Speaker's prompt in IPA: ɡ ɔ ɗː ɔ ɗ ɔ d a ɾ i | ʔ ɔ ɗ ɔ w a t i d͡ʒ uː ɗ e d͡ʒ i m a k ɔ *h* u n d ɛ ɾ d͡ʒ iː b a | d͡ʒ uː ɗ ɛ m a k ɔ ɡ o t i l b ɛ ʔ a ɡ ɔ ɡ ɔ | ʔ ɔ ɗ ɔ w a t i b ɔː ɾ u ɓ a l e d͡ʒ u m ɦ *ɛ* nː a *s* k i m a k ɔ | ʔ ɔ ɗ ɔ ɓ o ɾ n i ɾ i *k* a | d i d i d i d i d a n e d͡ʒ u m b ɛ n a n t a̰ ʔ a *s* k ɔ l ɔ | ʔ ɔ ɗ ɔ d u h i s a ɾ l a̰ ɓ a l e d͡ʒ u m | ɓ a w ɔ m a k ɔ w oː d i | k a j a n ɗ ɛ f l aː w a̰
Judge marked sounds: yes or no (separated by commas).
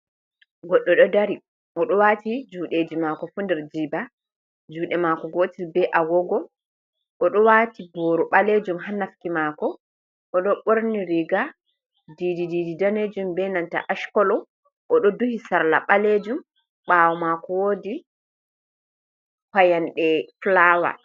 no, no, no, no, no